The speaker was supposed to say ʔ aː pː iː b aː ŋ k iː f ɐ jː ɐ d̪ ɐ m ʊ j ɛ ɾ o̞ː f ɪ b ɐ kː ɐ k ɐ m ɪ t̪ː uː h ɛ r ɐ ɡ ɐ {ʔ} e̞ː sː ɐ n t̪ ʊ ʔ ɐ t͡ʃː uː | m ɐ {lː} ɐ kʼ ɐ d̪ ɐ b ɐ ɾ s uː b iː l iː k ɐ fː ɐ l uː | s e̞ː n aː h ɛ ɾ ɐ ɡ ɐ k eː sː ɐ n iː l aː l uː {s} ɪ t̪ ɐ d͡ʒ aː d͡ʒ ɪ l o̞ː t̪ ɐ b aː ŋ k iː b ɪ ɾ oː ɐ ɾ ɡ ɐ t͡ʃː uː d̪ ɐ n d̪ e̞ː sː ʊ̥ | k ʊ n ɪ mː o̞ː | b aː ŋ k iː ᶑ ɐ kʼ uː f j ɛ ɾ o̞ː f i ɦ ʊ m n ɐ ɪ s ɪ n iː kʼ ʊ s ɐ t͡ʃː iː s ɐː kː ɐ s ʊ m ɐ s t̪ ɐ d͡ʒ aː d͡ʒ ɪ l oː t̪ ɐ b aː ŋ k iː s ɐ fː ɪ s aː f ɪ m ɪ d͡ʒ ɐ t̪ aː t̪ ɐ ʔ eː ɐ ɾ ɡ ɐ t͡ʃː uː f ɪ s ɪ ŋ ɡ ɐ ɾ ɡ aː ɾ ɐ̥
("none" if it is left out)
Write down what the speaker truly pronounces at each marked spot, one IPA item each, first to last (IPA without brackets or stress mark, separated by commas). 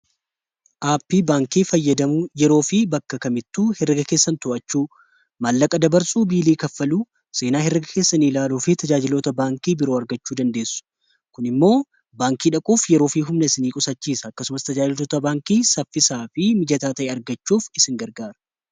k, lː, f